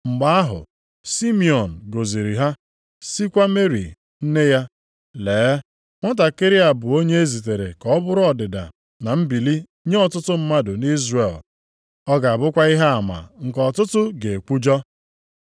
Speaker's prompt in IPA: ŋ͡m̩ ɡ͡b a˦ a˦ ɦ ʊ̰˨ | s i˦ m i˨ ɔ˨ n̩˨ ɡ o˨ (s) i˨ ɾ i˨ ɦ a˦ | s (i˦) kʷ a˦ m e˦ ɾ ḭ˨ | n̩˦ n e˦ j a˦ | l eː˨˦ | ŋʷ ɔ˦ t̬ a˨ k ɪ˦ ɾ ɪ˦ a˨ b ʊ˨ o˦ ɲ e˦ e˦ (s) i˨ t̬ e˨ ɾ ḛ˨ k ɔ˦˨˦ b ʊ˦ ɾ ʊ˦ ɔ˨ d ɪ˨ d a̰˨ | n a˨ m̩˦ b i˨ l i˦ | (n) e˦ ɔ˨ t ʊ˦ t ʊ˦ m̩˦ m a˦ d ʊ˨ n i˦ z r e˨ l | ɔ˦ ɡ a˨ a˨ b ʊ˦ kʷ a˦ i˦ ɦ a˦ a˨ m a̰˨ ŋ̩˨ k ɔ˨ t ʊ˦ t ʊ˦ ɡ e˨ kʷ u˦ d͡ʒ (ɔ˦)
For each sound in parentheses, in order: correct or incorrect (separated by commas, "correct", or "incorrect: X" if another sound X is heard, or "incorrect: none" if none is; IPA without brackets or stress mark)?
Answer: incorrect: z, correct, incorrect: z, incorrect: ɲ, correct